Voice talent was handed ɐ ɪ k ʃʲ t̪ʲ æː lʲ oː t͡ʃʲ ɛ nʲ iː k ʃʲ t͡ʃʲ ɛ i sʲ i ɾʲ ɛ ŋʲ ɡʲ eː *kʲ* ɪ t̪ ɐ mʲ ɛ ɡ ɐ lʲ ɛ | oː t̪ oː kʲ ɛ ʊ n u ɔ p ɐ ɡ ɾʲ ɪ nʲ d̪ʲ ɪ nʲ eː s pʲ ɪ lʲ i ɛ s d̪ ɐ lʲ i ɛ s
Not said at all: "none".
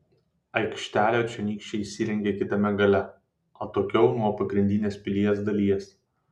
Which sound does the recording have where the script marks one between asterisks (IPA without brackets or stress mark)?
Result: kʲ